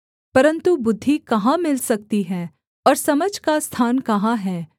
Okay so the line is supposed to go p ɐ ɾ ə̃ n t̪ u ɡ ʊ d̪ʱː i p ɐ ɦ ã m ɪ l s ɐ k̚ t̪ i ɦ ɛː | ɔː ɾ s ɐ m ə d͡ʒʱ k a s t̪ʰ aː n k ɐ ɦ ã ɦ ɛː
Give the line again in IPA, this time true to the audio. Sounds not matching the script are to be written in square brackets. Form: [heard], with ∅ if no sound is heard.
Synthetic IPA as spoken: p ɐ ɾ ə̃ n t̪ u [b] ʊ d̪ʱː i [k] ɐ ɦ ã m ɪ l s ɐ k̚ t̪ i ɦ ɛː | ɔː ɾ s ɐ m ə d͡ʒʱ k a s t̪ʰ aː n k ɐ ɦ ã ɦ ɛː